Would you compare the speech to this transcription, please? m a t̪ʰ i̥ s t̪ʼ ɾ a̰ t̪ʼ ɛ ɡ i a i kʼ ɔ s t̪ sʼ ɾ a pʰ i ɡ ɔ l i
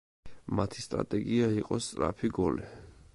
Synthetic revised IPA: m a t̪ʰ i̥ s t̪ʼ ɾ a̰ t̪ʼ ɛ ɡ i a i qʼ ɔ s t̪ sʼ ɾ a pʰ i ɡ ɔ l i